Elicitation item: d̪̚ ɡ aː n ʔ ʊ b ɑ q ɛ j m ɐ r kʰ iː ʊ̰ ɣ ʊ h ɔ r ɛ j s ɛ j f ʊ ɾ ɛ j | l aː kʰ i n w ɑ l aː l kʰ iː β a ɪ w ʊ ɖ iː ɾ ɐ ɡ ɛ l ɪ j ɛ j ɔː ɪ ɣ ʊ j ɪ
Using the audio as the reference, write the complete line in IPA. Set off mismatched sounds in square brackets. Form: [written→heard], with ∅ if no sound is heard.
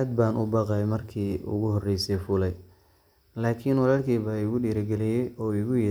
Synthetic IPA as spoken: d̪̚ [ɡ→b] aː n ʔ ʊ b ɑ q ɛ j m ɐ r kʰ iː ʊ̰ ɣ ʊ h ɔ r ɛ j s ɛ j f ʊ [ɾ→l] ɛ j | l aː kʰ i n w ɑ l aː l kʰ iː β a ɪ [w→ɣ] ʊ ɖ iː ɾ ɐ ɡ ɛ l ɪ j ɛ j ɔː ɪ ɣ ʊ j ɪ